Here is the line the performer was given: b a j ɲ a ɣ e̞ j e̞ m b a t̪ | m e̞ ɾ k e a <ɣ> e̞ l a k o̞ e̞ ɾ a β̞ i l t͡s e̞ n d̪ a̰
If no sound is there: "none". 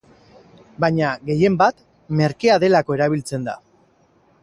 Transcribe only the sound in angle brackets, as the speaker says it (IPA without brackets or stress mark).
ð